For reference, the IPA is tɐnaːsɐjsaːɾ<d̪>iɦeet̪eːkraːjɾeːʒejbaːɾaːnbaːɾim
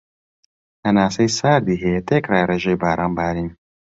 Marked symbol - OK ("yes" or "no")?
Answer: yes